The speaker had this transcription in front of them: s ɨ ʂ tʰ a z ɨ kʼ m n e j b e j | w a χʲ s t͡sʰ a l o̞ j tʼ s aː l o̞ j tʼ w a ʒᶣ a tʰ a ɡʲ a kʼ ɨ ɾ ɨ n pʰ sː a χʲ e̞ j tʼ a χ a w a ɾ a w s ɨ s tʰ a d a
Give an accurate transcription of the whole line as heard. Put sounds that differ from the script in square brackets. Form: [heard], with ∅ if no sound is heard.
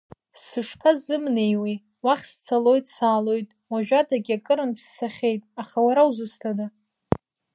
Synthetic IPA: s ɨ ʂ [pʰ] a z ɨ [∅] m n e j [w] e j | w a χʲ s t͡sʰ a l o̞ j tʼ s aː l o̞ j tʼ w a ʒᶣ a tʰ a ɡʲ a kʼ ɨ ɾ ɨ n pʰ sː a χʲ e̞ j tʼ a χ a w a ɾ a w [z] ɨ s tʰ a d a